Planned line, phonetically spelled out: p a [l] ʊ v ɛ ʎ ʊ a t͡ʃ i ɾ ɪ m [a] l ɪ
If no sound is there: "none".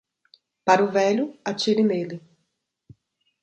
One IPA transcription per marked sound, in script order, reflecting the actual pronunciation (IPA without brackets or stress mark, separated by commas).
ɾ, e